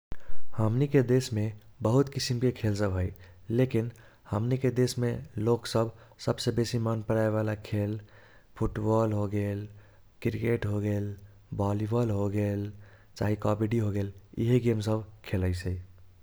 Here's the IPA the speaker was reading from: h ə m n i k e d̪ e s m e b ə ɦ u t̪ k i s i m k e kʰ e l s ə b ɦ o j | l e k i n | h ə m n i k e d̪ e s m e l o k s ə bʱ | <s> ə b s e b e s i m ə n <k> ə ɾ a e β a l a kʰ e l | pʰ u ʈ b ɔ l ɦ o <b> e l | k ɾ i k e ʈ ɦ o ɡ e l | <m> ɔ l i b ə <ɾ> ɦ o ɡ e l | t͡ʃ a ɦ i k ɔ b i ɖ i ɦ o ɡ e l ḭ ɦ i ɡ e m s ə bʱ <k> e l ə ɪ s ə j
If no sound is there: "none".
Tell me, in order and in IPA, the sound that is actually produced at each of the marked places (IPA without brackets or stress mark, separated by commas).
s, p, ɡ, b, l, kʰ